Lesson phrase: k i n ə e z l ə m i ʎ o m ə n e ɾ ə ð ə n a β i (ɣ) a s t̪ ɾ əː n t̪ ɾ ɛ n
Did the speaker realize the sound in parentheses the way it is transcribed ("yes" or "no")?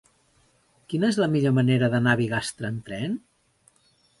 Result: yes